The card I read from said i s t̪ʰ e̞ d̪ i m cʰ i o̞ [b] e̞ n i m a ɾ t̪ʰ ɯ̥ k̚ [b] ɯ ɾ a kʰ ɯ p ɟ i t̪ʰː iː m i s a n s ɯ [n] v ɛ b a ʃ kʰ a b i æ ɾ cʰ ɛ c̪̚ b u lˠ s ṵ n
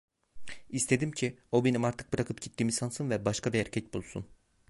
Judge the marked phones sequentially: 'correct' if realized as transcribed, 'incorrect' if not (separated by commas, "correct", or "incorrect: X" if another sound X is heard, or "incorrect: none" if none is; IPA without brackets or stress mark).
correct, correct, correct